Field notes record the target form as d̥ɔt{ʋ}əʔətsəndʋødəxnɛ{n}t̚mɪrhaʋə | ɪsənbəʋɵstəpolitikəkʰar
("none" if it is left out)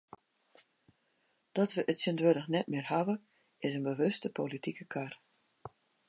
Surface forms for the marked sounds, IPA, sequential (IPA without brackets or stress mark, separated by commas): ʋ, none